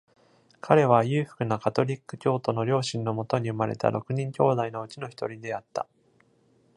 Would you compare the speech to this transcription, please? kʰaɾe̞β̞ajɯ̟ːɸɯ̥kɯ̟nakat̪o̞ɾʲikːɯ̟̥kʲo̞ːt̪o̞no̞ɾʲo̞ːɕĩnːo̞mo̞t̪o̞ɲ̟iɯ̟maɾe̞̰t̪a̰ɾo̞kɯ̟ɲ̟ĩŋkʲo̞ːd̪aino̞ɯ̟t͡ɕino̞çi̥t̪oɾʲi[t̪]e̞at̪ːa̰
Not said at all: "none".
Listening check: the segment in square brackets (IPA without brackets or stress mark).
d̪